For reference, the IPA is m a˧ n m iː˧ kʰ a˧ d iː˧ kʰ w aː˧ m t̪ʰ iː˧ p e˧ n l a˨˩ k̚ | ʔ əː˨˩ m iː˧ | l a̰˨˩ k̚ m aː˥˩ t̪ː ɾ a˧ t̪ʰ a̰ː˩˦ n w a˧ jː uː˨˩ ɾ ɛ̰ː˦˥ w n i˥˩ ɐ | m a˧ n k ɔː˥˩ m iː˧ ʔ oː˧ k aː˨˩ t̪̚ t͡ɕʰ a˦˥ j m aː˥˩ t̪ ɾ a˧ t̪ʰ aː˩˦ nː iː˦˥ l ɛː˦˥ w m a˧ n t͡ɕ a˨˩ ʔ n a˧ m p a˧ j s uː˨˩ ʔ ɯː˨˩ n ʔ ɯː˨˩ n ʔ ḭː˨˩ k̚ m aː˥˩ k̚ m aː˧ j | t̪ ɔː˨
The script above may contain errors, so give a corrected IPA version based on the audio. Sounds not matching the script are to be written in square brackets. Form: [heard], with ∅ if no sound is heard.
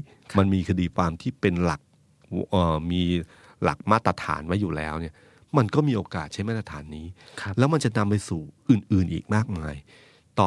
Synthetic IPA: m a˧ n m iː˧ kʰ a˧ d iː˧ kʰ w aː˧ m t̪ʰ [iː˥˩] p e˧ n l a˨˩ k̚ | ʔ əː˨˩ m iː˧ | l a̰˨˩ k̚ m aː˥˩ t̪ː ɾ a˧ t̪ʰ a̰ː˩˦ n w [a˦˥] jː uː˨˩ [l] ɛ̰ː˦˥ w n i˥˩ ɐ | m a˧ n k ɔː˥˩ m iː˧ ʔ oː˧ k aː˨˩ t̪̚ t͡ɕʰ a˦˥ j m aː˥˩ t̪ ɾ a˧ t̪ʰ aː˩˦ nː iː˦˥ l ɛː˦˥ w m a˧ n t͡ɕ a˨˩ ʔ n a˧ m p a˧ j s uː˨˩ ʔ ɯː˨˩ n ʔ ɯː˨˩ n ʔ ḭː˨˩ k̚ m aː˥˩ k̚ m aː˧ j | t̪ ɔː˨